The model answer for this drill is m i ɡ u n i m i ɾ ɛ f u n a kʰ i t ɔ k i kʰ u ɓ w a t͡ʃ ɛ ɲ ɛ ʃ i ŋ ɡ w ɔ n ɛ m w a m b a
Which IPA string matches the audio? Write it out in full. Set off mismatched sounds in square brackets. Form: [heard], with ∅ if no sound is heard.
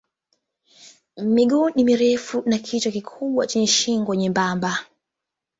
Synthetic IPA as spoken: m i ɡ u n i m i ɾ ɛ f u n a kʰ i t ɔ k i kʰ u ɓ w a t͡ʃ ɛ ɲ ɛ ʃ i ŋ ɡ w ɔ [ɲ] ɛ m [b] a m b a

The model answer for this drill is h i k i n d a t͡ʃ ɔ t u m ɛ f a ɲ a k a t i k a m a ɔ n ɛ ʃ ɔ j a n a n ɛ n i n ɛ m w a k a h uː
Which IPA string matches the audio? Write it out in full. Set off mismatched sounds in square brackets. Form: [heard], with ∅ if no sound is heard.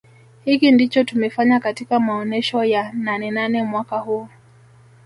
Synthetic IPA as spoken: h i k i n d [i] t͡ʃ ɔ t u m ɛ f a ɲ a k a t i k a m a ɔ n ɛ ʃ ɔ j a n a n ɛ n [a] n ɛ m w a k a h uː

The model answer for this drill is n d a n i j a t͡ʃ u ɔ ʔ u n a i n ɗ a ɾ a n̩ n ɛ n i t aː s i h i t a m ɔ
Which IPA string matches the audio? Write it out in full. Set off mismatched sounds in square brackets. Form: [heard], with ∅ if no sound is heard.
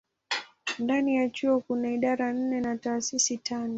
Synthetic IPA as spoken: n d a n i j a t͡ʃ u ɔ [k] u n a i [∅] ɗ a ɾ a n̩ n ɛ n [a] t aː s i [s] i t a [n] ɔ

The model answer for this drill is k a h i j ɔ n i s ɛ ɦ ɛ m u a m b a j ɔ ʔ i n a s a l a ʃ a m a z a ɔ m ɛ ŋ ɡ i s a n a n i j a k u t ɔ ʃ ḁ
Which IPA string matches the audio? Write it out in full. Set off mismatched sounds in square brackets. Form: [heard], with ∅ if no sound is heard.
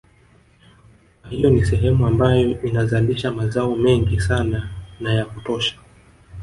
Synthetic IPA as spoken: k a h i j ɔ n i s ɛ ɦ ɛ m u a m b a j ɔ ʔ i n a [z] a l [i] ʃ a m a z a ɔ m ɛ ŋ ɡ i s a n a n [a] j a k u t ɔ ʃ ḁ

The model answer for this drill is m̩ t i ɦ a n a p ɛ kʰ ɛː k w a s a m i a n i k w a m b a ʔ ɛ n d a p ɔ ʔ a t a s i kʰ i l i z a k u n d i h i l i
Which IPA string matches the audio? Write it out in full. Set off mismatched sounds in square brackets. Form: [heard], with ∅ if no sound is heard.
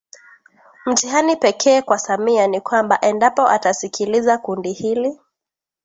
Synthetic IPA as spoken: m̩ t i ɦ a n [i] p ɛ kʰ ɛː k w a s a m i a n i k w a m b a ʔ ɛ n d a p ɔ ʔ a t a s i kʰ i l i z a k u n d i h i l i

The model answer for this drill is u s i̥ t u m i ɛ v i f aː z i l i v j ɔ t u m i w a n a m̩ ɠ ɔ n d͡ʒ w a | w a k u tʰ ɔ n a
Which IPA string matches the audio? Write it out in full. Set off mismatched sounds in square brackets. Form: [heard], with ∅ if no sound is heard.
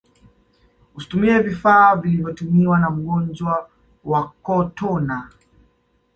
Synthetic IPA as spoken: u s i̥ t u m i ɛ v i f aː [v] i l i v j ɔ t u m i w a n a m̩ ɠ ɔ n d͡ʒ w a | w a k [ɔ] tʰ ɔ n a

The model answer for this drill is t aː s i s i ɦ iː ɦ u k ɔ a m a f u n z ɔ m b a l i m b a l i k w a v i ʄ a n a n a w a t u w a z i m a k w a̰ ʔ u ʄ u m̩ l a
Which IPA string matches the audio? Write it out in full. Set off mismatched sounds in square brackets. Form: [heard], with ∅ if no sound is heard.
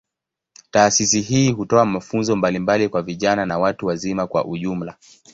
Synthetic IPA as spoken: t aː s i s i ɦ iː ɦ u [t] ɔ a m a f u n z ɔ m b a l i m b a l i k w a v i ʄ a n a n a w a t u w a z i m a k w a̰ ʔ u ʄ u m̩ l a

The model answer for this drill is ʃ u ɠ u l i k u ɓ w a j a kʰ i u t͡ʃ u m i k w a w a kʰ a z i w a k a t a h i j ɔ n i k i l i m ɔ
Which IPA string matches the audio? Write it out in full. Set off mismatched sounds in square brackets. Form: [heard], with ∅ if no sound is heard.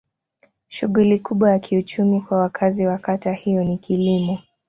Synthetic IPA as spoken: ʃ u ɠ u l i k u ɓ w a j a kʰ i u t͡ʃ u m i k w a w a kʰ a z i w a k a t a h i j ɔ n i k i l i m ɔ

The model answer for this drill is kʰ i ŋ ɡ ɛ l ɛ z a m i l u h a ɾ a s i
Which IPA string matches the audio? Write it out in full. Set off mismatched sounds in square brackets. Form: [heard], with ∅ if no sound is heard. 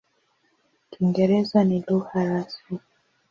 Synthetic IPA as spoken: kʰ i ŋ ɡ ɛ [ɾ] ɛ z a [n] i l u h a ɾ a s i

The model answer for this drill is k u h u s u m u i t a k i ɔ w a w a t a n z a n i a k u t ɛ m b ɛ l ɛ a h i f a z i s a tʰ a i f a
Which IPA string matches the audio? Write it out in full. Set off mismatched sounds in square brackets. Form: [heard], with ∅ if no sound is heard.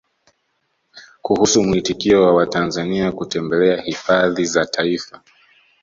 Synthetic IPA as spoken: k u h u s u m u i t [i] k i ɔ w a w a t a n z a n i a k u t ɛ m b ɛ l ɛ a h i f a [ð] i [z] a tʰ a i f a

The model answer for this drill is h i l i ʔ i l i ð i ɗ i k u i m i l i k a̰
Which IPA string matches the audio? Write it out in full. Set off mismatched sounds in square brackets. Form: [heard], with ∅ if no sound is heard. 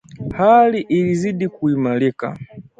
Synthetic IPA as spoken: h [a] l i ʔ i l i [z] i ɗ i k u i m [a] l i k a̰

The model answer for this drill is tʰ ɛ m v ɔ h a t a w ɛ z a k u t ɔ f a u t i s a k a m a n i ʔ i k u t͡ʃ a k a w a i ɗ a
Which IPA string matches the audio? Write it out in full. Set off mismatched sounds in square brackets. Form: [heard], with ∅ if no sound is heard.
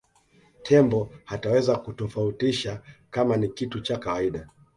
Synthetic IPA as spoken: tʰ ɛ m [b] ɔ h a t a w ɛ z a k u t ɔ f a u t i [ʃ] a k a m a n i [k] i [t] u t͡ʃ a k a w a i ɗ a

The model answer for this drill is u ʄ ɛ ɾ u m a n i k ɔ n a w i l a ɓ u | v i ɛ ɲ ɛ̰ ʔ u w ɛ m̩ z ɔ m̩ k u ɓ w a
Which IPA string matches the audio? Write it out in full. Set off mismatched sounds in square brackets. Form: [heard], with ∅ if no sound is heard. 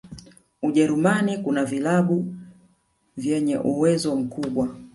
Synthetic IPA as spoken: u ʄ ɛ ɾ u m a n i k [u] n a [v] i l a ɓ u | v [j] ɛ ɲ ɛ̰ ʔ u w ɛ [∅] z ɔ m̩ k u ɓ w a

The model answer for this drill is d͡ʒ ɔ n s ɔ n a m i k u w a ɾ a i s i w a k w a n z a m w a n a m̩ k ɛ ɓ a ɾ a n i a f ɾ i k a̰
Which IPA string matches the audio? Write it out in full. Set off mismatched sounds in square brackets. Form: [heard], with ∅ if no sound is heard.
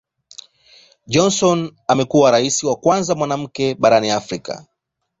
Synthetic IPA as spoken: d͡ʒ ɔ n s ɔ n a m [ɛ] k u w a ɾ a i s i w a k w a n z a m w a n a m̩ k ɛ ɓ a ɾ a n i a f ɾ i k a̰

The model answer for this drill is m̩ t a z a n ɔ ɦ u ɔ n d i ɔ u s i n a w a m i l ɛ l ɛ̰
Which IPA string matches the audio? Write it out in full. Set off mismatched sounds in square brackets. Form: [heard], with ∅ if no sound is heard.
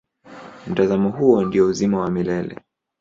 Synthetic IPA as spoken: m̩ t a z a [m] ɔ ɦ u ɔ n d i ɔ u [z] i [m] a w a m i l ɛ l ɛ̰

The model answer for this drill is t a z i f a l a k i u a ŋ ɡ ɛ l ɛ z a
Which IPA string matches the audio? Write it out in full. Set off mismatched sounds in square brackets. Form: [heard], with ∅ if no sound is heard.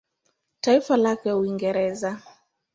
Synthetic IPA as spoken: t a [∅] i f a l a k [ɛ] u [i] ŋ ɡ ɛ [ɾ] ɛ z a

